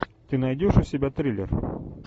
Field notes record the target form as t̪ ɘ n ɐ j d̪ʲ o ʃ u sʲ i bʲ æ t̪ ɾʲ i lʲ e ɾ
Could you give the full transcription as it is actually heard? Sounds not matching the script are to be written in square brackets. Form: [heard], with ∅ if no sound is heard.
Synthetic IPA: t̪ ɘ n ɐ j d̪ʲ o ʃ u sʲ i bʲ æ t̪ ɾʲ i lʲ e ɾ